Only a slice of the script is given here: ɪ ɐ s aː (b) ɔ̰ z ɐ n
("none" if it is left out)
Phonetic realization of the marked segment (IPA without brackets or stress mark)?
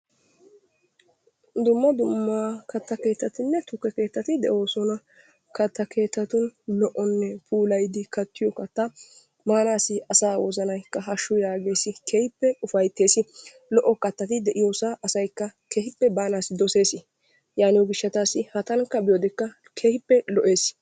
w